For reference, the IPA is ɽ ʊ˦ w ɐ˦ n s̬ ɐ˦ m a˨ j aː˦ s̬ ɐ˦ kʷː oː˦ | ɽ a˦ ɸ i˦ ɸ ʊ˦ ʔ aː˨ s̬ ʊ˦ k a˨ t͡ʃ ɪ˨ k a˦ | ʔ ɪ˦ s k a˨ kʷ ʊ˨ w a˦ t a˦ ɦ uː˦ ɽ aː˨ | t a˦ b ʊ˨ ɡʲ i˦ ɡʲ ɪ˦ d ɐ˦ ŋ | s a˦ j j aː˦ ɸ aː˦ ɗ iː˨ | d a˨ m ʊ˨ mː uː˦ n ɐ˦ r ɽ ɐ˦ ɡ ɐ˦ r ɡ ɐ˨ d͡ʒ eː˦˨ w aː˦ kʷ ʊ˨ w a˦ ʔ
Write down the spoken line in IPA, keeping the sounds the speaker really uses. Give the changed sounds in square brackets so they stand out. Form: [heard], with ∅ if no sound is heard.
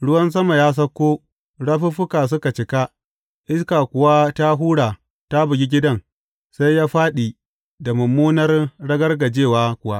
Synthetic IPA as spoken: ɽ ʊ˦ w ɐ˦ n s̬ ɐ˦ m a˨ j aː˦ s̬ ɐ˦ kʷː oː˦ | ɽ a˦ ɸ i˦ ɸ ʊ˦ [k] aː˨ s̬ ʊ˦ k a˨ t͡ʃ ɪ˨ k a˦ | ʔ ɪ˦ s k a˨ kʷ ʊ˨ w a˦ t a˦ ɦ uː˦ ɽ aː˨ | t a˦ b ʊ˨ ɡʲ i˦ ɡʲ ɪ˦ d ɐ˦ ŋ | s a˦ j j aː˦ ɸ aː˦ ɗ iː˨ | d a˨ m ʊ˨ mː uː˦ n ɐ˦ r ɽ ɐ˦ ɡ ɐ˦ r ɡ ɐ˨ d͡ʒ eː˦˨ w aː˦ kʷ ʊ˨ w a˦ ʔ

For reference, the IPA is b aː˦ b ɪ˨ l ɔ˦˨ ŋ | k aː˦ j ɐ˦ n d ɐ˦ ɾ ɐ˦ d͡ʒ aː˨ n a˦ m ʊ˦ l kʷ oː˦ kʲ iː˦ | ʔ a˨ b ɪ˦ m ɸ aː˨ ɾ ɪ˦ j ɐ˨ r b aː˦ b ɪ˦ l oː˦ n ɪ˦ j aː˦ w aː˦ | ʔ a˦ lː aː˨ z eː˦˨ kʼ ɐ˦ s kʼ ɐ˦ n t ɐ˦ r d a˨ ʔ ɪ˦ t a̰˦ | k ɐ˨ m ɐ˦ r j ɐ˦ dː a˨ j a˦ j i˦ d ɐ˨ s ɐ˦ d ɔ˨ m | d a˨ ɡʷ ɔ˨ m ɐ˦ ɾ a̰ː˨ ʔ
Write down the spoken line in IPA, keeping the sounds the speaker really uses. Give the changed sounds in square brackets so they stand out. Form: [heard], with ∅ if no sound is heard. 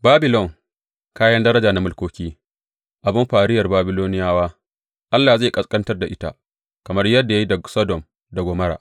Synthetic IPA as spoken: b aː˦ b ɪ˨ l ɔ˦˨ ŋ | k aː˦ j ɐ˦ n d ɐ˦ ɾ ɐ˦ d͡ʒ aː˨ n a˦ m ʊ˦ l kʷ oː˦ kʲ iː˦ | ʔ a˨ b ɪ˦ m ɸ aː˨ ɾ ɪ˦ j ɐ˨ r b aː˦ b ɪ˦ l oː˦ n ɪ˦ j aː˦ w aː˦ | ʔ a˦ lː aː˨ z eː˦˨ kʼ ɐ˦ s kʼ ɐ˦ n t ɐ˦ r d a˨ ʔ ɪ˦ t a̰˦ | k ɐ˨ m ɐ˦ r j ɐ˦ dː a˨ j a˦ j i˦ d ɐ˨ s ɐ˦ d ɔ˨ m | d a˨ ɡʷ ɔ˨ m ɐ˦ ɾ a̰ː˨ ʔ

